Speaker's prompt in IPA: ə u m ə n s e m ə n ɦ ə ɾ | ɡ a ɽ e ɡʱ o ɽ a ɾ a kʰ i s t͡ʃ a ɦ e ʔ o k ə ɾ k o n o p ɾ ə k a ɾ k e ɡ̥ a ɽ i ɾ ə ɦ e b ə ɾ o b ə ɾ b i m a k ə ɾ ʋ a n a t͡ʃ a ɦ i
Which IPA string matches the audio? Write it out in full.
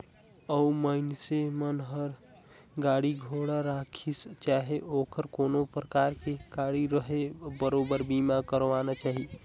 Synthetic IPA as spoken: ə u m ə n s e m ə n ɦ ə ɾ | ɡ a ɽ i ɡʱ o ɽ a ɾ a kʰ i s t͡ʃ a ɦ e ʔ o k ə ɾ k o n o p ɾ ə k a ɾ k e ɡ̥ a ɽ i ɾ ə ɦ e b ə ɾ o b ə ɾ b i m a k ə ɾ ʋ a n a t͡ʃ a ɦ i